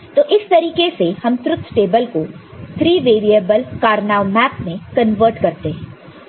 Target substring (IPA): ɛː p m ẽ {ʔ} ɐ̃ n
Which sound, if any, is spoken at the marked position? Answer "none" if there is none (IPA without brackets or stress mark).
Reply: k